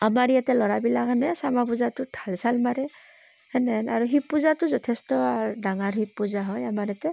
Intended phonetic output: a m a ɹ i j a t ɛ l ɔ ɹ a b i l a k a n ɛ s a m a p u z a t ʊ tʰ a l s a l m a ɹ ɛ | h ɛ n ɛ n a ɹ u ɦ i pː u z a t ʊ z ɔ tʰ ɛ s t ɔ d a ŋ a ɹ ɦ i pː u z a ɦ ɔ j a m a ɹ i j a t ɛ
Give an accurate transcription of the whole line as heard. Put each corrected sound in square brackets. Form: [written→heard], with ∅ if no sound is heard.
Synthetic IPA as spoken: a m a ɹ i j a t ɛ l ɔ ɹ a b i l a k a n ɛ s a m a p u z a t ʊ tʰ a l s a l m a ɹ ɛ | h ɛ n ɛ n a ɹ u ɦ i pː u z a t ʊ z ɔ tʰ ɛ s t ɔ d a ŋ a ɹ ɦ i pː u z a ɦ ɔ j a m a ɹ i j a t ɛ